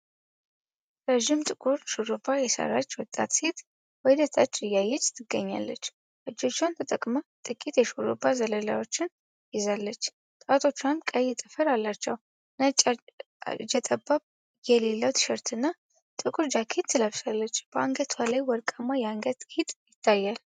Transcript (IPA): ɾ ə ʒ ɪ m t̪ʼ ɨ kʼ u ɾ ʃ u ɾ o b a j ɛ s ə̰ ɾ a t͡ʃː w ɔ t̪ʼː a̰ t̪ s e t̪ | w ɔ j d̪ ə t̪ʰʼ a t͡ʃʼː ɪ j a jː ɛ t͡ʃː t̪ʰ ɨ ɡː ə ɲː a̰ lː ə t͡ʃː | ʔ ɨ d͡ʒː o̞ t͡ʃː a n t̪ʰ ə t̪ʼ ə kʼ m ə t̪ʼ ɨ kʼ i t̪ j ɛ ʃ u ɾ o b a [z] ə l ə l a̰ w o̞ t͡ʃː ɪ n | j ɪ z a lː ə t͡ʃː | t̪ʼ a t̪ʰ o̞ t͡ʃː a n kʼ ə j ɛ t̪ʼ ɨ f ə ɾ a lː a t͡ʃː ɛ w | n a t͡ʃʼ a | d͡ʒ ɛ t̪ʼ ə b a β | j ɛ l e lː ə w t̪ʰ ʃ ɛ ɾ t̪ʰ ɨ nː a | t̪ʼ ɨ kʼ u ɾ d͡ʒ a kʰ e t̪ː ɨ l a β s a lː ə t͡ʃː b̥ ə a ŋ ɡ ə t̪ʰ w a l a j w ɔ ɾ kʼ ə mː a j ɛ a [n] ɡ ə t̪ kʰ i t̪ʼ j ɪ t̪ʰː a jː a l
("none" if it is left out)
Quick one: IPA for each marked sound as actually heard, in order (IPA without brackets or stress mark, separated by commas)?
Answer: z, ŋ